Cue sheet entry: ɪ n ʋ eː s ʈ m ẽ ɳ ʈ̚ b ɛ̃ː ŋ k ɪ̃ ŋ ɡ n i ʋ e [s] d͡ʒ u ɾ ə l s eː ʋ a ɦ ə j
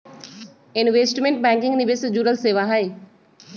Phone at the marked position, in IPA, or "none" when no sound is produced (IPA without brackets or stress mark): s